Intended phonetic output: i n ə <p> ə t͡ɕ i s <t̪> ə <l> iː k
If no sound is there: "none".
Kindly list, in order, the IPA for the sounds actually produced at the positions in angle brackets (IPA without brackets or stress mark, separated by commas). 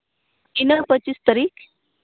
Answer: p, t̪, ɾ